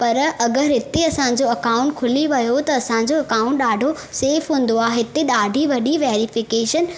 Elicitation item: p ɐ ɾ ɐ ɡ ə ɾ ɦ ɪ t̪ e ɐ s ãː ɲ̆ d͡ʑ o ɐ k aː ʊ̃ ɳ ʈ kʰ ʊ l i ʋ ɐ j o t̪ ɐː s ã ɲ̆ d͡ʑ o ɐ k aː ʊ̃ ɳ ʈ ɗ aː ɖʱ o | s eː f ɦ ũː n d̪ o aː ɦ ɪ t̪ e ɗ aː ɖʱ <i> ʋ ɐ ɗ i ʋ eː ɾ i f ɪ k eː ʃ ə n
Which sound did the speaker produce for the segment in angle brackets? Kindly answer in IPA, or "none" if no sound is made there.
i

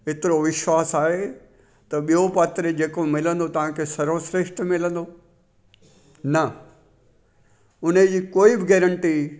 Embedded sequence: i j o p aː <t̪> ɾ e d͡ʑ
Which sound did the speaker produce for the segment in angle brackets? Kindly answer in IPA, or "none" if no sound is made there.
t̪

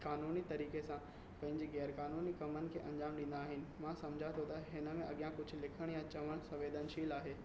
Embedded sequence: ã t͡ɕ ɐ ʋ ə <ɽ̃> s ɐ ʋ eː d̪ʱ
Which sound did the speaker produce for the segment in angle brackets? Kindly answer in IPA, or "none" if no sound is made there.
ɽ̃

